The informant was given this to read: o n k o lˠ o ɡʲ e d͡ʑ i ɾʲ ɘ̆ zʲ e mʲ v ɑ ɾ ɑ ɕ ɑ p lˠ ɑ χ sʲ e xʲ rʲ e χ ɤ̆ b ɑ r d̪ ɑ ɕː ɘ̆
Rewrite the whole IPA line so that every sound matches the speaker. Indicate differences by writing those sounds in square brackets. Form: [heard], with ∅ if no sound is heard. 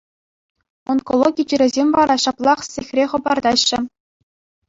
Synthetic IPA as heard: o n k o lˠ o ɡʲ [i] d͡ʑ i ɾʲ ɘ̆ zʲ e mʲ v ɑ ɾ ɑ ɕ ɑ p lˠ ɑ χ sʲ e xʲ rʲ e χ ɤ̆ b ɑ r d̪ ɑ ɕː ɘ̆

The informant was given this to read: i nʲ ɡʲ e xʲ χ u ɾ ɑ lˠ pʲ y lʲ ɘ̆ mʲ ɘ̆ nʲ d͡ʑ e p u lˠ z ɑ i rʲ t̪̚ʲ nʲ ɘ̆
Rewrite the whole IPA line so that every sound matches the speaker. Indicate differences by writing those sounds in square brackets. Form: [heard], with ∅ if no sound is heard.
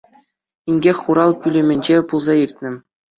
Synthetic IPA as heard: i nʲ ɡʲ e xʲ χ u ɾ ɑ lˠ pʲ y lʲ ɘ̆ mʲ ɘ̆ nʲ d͡ʑ e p u lˠ z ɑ i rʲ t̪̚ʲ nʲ ɘ̆

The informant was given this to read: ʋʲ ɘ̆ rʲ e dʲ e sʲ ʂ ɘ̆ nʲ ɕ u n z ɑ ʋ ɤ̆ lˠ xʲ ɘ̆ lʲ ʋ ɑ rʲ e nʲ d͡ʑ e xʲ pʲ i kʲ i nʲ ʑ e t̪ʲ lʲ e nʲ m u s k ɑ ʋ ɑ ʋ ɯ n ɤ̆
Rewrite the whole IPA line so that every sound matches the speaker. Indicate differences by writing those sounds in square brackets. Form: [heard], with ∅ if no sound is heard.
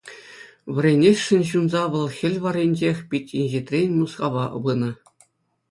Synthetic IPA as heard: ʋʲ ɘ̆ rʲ e [nʲ] e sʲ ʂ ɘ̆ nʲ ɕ u n z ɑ ʋ ɤ̆ lˠ xʲ ɘ̆ lʲ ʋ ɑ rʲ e nʲ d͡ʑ e xʲ pʲ i [tʲ] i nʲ ʑ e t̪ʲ [rʲ] e nʲ m u s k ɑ ʋ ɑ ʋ ɯ n ɤ̆

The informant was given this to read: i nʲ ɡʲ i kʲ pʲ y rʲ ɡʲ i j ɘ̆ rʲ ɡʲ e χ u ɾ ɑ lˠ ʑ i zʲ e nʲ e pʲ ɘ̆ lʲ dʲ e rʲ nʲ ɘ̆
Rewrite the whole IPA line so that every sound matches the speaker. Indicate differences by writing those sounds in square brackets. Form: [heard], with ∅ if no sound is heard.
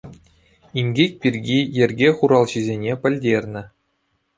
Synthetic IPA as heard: i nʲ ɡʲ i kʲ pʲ [i] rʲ ɡʲ i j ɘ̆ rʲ ɡʲ e χ u ɾ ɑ lˠ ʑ i zʲ e nʲ e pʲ ɘ̆ lʲ dʲ e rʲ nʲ ɘ̆

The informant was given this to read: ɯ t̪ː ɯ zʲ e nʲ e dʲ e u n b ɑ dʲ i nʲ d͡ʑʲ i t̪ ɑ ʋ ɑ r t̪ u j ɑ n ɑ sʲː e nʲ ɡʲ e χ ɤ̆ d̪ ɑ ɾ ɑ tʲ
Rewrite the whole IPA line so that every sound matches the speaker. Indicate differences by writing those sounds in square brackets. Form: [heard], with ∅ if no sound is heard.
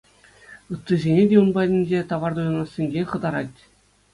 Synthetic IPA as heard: ɯ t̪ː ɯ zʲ e nʲ e dʲ e u n b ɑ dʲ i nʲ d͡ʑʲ [e] t̪ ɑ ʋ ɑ r [d̪] u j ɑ n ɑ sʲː e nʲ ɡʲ e χ ɤ̆ d̪ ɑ ɾ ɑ tʲ

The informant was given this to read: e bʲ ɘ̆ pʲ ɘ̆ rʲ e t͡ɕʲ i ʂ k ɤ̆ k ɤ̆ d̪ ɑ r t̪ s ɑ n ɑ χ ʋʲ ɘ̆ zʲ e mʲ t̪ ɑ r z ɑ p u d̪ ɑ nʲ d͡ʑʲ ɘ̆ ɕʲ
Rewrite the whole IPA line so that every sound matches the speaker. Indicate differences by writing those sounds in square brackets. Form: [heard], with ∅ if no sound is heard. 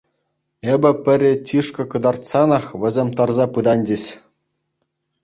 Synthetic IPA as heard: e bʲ ɘ̆ pʲ ɘ̆ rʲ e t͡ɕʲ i ʂ k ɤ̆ k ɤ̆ d̪ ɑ r t̪ s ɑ n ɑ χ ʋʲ ɘ̆ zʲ e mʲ t̪ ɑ r z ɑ p [ɯ] d̪ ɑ nʲ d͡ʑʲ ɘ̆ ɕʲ

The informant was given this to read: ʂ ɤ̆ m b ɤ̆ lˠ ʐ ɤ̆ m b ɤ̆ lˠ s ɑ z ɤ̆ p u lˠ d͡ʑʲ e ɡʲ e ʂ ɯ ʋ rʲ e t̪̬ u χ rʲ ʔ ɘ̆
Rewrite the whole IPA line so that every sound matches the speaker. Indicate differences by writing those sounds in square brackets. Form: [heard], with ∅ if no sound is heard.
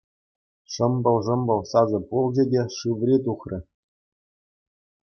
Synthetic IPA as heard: ʂ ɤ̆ m b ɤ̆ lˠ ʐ ɤ̆ m b ɤ̆ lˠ s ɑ z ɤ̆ p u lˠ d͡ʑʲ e [dʲ] e ʂ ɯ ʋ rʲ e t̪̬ u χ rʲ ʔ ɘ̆

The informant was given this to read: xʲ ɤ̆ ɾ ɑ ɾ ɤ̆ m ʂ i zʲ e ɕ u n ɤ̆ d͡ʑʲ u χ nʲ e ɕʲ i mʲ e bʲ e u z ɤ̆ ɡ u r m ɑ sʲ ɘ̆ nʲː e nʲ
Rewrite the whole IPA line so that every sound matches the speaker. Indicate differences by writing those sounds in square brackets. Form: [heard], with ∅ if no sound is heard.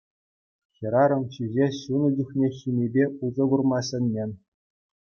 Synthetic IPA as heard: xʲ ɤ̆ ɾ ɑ ɾ ɤ̆ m [ɕ] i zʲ e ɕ u n ɤ̆ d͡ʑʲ u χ nʲ e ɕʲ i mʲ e bʲ e u z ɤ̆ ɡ u r m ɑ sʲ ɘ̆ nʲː e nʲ

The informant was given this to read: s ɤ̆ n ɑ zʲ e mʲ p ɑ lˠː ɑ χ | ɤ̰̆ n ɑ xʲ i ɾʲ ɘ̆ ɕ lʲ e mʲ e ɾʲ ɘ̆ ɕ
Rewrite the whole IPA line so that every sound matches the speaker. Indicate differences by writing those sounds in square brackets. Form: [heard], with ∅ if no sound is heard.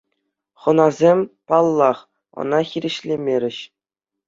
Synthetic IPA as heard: [χ] ɤ̆ n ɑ zʲ e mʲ p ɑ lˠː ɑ χ | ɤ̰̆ n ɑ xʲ i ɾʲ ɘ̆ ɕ lʲ e mʲ e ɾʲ ɘ̆ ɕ

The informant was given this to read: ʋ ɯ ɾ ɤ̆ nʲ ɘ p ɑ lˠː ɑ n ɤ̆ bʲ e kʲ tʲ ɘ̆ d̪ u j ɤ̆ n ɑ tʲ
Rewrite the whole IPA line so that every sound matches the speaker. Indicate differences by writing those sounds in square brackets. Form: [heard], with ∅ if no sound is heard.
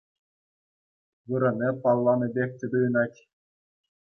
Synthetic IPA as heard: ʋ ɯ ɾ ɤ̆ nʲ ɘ p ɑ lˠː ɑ n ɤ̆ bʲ e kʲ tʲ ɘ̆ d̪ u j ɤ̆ n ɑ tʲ

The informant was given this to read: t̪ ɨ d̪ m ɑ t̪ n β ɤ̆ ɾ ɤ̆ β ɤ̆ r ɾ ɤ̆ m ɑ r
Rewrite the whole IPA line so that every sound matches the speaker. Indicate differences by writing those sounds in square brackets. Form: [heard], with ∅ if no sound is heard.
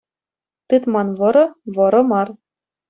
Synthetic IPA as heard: t̪ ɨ [t̪] m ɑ [∅] n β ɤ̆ ɾ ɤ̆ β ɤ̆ [∅] ɾ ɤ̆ m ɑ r

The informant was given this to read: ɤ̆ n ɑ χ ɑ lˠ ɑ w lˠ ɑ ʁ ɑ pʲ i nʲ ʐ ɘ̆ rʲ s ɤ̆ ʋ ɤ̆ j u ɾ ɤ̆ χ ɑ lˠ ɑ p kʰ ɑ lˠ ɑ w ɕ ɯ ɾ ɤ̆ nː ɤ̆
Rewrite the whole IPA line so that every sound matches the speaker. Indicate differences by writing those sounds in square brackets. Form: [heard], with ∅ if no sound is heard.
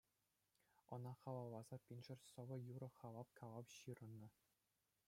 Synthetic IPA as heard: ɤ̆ n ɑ χ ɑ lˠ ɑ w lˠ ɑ [z] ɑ pʲ i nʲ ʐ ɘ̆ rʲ s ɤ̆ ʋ ɤ̆ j u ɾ ɤ̆ χ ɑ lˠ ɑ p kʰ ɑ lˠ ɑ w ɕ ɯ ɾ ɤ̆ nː ɤ̆

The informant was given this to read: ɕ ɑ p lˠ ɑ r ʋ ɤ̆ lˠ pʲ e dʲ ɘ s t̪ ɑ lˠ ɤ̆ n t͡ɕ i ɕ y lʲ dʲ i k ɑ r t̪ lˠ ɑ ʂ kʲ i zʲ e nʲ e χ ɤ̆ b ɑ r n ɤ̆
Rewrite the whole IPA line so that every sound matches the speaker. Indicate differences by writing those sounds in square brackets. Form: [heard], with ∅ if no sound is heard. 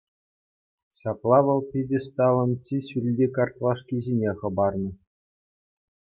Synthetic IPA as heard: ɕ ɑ p lˠ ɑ [∅] ʋ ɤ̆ lˠ pʲ [i] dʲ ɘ s t̪ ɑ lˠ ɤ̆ n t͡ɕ i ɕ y lʲ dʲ i k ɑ r t̪ lˠ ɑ ʂ kʲ i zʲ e nʲ e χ ɤ̆ b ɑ r n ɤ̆

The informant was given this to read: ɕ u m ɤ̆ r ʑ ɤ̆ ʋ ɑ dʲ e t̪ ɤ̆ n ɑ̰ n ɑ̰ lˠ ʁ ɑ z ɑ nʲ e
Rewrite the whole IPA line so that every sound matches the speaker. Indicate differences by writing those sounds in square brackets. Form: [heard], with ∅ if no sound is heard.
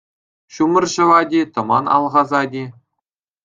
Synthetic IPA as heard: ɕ u m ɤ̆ r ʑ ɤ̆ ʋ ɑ dʲ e t̪ ɤ̆ [m] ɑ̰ n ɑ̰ lˠ ʁ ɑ z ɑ [dʲ] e

